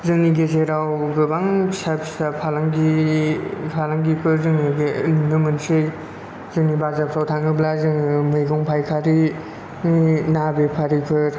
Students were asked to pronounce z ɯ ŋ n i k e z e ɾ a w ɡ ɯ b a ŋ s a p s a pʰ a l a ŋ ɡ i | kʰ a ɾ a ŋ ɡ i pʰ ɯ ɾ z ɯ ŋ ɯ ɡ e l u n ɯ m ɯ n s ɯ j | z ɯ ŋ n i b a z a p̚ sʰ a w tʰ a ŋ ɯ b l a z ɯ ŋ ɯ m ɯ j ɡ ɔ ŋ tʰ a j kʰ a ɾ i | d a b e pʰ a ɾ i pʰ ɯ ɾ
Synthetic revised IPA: z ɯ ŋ n i ɡ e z e ɾ a w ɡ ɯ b a ŋ s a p s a pʰ a l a ŋ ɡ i | pʰ a l a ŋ ɡ i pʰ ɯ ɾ z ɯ ŋ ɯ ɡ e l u n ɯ m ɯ n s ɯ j | z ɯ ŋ n i b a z a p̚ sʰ a w tʰ a ŋ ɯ b l a z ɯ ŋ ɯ m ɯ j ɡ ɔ ŋ pʰ a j kʰ a ɾ i | n a b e pʰ a ɾ i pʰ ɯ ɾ